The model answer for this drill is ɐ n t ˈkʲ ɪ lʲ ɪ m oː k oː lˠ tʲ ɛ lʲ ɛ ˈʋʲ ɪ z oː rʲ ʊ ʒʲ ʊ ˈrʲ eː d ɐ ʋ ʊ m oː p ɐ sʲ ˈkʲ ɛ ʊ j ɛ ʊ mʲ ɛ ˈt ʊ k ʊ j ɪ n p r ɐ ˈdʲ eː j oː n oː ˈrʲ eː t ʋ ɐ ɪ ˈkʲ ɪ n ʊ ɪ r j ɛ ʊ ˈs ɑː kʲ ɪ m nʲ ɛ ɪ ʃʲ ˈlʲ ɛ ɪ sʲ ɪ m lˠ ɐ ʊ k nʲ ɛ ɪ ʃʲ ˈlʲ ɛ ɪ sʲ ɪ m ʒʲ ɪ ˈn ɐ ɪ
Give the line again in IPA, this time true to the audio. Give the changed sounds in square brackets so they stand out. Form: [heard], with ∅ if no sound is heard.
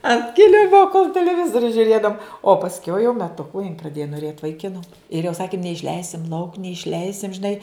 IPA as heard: ɐ n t ˈkʲ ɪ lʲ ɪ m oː k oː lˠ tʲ ɛ lʲ ɛ ˈʋʲ ɪ z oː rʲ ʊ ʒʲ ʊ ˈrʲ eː d ɐ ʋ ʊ m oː p ɐ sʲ ˈkʲ ɛ ʊ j ɛ ʊ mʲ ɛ ˈt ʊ k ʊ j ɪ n p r ɐ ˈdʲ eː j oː n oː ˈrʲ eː t ʋ ɐ ɪ ˈkʲ ɪ n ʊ ɪ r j ɛ ʊ ˈs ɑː kʲ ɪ m nʲ ɛ ɪ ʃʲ ˈlʲ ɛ ɪ sʲ ɪ m lˠ ɐ ʊ k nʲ ɛ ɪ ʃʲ ˈlʲ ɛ ɪ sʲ ɪ m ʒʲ ɪ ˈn ɐ ɪ